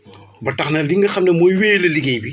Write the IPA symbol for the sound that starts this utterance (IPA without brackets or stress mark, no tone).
b